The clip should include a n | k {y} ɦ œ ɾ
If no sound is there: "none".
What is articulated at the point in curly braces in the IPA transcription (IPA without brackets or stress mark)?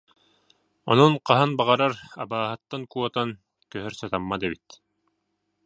œ